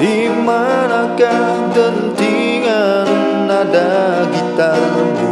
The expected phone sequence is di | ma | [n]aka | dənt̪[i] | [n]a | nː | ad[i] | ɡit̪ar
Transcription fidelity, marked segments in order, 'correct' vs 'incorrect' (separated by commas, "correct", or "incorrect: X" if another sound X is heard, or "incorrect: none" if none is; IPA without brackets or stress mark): correct, correct, incorrect: ŋ, incorrect: a